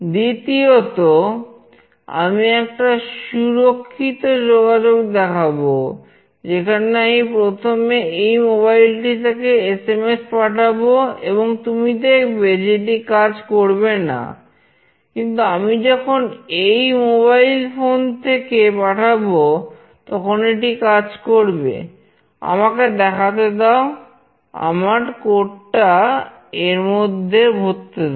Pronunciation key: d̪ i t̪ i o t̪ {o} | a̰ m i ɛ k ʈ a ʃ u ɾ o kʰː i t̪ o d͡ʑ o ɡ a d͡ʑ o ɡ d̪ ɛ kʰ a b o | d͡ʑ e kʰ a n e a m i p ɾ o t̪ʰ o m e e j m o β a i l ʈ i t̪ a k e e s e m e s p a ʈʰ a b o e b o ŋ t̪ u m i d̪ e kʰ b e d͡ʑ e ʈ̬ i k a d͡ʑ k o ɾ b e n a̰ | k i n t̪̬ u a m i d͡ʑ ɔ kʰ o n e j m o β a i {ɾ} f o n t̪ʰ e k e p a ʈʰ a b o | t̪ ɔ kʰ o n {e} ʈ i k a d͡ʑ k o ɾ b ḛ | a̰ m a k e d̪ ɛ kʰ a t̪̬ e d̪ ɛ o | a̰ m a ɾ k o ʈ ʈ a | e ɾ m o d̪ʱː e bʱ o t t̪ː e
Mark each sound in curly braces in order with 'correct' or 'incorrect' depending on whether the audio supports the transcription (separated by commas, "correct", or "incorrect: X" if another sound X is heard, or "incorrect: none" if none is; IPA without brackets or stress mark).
correct, incorrect: l, correct